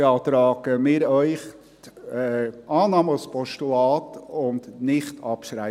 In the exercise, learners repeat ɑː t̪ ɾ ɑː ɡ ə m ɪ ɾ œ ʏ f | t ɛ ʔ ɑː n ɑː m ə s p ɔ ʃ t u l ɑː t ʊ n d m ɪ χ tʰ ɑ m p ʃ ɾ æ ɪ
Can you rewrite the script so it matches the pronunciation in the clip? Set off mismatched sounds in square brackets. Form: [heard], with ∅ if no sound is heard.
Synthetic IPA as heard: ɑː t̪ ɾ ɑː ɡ ə m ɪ ɾ œ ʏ [χ] | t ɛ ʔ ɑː n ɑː m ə s p ɔ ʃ t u l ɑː t ʊ n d [n] ɪ χ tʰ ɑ [∅] p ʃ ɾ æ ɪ